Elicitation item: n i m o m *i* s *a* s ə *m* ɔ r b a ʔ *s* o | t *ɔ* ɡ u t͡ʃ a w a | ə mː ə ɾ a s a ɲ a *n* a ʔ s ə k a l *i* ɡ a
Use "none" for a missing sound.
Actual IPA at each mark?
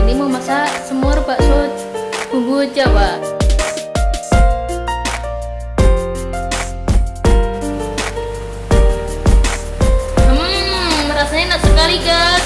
a, a, m, s, u, n, i

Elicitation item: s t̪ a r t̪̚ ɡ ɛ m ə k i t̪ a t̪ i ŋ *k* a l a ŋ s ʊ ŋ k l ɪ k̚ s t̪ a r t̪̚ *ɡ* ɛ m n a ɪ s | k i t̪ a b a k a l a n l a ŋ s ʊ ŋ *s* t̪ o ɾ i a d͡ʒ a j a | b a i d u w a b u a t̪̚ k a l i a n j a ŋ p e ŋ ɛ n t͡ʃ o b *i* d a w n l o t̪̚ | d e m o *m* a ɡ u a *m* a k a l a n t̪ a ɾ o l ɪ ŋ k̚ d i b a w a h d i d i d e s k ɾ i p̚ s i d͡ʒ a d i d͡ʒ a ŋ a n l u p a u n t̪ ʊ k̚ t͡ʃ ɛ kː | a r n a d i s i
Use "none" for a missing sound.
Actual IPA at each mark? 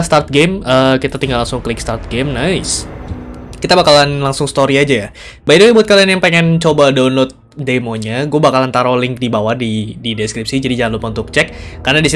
ɡ, ɡ, s, a, ɲ, b

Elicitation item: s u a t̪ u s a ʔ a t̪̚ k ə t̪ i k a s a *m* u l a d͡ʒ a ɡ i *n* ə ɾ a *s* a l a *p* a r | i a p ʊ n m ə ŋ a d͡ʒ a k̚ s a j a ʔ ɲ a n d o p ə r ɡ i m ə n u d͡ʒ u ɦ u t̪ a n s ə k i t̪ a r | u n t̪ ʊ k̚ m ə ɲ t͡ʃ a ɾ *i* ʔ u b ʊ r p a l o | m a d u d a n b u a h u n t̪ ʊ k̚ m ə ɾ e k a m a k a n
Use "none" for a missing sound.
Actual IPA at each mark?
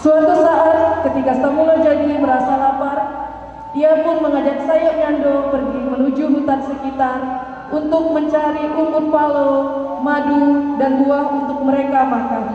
m, m, s, p, i

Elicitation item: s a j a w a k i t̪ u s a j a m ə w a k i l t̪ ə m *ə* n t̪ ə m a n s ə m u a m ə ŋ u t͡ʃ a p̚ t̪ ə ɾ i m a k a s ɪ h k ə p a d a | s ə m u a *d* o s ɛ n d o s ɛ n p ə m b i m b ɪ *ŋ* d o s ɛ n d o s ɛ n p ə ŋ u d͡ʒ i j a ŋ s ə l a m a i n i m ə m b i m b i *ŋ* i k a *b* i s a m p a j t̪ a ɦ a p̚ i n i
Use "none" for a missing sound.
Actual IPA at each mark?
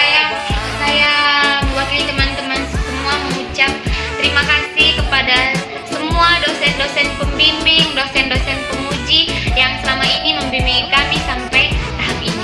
a, d, ŋ, ŋ, m

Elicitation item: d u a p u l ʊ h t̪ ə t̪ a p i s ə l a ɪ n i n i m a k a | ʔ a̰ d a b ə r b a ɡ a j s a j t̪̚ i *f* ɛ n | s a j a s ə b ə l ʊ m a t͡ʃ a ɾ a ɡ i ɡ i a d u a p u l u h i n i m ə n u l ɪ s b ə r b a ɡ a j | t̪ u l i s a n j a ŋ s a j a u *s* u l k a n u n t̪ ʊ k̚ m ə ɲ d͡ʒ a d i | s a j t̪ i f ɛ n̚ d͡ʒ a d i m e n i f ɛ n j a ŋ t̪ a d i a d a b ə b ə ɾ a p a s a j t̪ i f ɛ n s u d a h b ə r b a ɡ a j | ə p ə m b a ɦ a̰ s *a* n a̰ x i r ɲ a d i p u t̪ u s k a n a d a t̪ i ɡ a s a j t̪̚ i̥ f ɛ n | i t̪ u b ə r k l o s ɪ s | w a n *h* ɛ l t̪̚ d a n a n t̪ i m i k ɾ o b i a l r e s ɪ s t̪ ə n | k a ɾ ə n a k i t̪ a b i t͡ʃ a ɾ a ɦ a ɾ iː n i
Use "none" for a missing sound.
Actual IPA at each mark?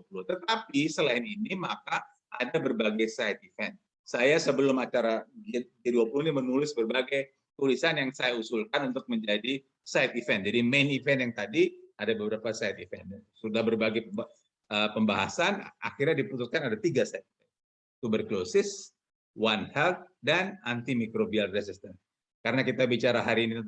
f, s, a, h

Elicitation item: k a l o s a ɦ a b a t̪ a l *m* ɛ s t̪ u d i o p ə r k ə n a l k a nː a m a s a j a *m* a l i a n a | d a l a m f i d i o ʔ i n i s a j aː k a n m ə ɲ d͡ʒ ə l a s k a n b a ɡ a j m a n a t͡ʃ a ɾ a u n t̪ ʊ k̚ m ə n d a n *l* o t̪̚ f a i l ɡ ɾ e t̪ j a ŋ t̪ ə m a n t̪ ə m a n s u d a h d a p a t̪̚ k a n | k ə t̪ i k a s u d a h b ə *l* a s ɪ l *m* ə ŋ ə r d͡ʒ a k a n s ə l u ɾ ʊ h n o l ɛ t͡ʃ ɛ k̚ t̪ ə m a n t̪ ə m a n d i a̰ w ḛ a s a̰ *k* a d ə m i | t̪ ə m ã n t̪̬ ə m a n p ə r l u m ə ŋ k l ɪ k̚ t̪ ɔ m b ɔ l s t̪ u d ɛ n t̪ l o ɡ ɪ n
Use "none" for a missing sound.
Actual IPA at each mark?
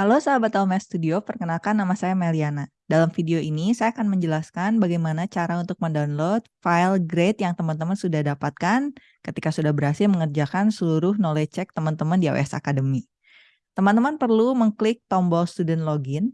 m, m, l, ɾ, m, k

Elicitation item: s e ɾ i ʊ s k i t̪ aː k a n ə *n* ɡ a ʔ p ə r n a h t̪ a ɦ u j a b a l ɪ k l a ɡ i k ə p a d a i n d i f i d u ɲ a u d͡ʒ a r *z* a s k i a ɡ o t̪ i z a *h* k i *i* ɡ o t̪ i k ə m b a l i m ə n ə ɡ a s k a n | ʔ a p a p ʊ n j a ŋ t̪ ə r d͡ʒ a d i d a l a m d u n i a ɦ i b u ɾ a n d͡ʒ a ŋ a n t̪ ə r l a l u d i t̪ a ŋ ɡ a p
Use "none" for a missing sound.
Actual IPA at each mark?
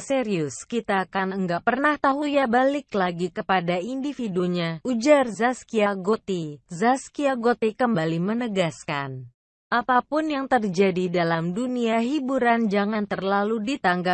ŋ, z, s, a

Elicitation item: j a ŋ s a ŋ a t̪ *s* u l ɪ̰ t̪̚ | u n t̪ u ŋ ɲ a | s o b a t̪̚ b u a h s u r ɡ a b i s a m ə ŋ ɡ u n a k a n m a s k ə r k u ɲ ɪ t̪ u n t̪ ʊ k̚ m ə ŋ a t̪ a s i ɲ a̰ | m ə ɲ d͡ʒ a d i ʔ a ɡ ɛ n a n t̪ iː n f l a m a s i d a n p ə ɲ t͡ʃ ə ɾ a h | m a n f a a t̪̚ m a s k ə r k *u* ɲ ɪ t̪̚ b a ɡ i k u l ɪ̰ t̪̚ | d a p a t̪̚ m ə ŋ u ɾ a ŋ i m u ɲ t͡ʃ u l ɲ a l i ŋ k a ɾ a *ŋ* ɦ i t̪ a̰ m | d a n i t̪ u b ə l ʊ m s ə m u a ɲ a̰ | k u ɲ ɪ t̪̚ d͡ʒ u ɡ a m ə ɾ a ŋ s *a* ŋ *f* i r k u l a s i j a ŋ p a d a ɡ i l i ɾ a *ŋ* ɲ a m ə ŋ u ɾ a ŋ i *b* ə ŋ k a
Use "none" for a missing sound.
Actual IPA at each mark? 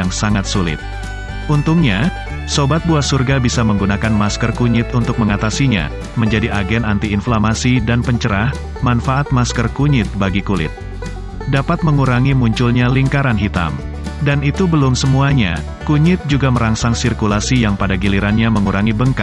s, u, n, a, s, n, b

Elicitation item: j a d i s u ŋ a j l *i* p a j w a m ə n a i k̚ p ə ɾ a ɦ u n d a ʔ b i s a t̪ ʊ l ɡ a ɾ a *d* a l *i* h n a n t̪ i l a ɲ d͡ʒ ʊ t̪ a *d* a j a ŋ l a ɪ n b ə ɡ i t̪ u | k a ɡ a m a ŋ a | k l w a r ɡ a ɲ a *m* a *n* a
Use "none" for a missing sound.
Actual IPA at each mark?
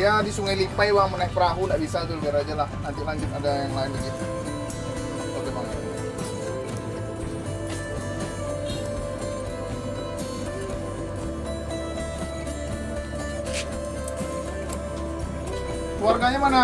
i, d͡ʒ, a, d, m, n

